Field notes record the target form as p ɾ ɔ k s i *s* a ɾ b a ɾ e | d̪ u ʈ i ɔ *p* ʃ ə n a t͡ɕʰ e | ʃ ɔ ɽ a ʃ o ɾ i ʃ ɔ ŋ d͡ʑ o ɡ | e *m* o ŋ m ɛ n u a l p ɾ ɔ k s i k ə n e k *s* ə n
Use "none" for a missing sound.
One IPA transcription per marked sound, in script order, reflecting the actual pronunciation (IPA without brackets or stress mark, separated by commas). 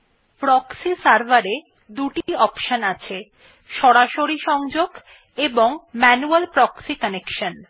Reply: s, p, b, ʃ